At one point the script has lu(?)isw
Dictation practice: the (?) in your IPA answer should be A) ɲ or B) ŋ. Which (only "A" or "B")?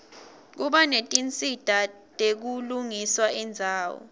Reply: B